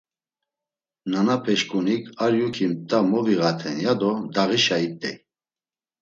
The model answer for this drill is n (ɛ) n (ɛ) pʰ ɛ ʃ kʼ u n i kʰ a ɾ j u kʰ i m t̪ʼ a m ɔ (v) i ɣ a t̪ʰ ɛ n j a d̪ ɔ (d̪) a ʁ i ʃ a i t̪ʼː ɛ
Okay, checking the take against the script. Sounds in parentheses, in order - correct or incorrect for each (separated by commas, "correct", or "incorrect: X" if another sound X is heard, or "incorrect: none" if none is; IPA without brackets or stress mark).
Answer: incorrect: a, incorrect: a, correct, correct